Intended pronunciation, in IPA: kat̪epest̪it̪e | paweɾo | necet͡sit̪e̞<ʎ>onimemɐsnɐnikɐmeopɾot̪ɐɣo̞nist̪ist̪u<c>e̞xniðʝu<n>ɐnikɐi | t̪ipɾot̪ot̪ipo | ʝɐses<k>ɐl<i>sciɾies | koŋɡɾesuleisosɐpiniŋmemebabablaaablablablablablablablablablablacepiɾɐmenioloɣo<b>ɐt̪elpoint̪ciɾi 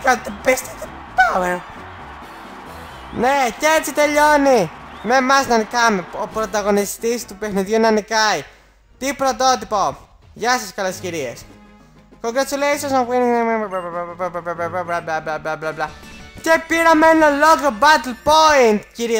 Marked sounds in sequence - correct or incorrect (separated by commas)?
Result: correct, incorrect, correct, correct, incorrect, correct